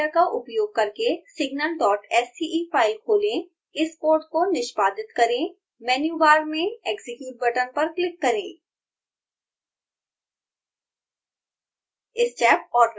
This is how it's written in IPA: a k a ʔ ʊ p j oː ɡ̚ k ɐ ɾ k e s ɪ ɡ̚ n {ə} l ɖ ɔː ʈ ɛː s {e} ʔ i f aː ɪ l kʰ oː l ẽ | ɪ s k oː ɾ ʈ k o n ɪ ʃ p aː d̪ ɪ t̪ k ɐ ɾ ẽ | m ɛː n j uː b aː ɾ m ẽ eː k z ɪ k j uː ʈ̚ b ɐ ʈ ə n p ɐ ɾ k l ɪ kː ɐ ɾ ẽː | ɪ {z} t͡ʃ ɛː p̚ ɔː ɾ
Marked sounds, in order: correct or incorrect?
correct, incorrect: i, incorrect: s

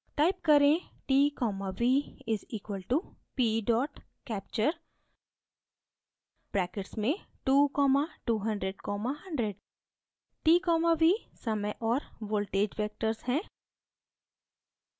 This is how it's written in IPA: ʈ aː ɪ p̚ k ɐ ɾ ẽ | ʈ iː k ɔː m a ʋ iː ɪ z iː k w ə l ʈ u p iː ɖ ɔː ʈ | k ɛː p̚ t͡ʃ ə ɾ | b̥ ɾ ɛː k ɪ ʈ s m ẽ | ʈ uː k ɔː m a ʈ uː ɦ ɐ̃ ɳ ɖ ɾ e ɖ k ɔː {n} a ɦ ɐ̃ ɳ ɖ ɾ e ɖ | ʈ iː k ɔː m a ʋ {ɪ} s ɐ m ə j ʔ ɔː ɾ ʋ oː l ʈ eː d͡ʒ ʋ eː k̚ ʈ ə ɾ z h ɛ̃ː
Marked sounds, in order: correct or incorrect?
incorrect: m, incorrect: i

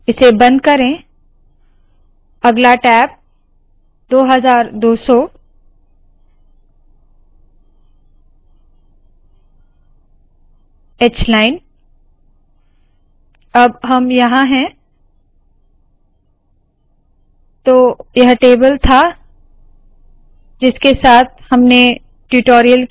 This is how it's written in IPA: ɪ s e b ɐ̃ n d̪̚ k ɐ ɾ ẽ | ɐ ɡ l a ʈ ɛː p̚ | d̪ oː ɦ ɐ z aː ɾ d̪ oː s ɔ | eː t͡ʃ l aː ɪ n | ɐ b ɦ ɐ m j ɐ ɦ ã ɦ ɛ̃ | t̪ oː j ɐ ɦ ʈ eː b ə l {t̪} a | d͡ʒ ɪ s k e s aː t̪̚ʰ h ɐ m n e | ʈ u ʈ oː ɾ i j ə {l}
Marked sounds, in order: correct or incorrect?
incorrect: t̪ʰ, correct

